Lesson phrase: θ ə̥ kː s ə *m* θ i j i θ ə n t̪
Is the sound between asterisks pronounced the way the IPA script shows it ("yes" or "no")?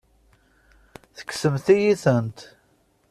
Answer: yes